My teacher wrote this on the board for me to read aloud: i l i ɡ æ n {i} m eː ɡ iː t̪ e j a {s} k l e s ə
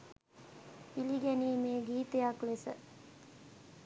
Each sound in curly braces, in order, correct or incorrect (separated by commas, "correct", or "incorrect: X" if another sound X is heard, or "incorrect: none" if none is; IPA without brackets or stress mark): incorrect: iː, incorrect: none